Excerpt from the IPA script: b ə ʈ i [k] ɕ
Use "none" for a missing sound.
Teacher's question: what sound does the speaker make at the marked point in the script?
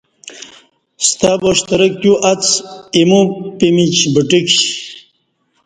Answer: k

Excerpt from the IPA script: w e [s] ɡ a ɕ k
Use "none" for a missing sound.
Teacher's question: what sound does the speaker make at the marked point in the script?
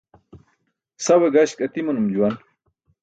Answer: none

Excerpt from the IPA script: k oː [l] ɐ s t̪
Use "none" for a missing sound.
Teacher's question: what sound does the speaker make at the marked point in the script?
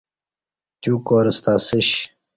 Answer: ɾ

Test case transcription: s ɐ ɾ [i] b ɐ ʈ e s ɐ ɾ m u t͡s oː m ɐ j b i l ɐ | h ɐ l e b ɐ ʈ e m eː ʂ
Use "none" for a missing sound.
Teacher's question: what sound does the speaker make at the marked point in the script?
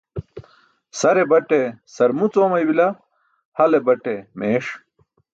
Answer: e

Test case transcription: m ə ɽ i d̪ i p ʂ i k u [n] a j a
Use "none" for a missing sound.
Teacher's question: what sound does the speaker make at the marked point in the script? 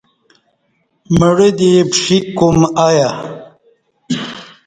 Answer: m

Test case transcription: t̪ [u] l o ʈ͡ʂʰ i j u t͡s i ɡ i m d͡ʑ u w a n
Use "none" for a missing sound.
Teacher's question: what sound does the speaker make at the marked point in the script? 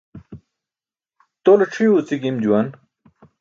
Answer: o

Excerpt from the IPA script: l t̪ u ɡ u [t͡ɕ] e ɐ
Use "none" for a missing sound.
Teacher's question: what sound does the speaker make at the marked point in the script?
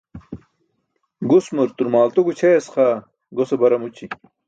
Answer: t͡ɕʰ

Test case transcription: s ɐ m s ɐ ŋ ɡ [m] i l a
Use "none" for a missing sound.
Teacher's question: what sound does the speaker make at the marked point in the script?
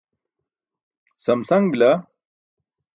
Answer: b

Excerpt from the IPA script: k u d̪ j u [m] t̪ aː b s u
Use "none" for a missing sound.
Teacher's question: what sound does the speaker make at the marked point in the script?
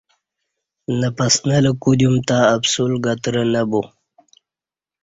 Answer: m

